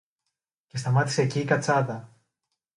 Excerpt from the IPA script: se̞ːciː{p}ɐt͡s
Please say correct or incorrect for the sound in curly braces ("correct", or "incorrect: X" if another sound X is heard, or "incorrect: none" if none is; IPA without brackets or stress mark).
incorrect: k